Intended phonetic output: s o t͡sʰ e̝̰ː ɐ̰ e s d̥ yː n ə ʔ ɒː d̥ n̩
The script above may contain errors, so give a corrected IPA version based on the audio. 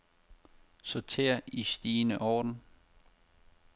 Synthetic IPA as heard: s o t͡sʰ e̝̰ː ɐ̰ i s d̥ iː n ə ʔ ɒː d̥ n̩